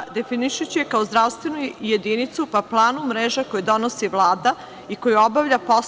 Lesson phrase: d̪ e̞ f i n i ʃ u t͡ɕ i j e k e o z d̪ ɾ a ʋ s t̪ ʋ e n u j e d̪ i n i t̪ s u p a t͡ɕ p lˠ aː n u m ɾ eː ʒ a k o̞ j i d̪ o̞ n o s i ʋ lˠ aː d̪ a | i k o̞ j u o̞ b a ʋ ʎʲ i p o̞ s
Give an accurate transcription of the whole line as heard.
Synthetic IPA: d̪ e̞ f i n i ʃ u t͡ɕ i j e k a o z d̪ ɾ a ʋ s t̪ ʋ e n u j e d̪ i n i t̪ s u p a p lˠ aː n u m ɾ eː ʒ a k o̞ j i d̪ o̞ n o s i ʋ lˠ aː d̪ a | i k o̞ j u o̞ b a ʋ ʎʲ a p o̞ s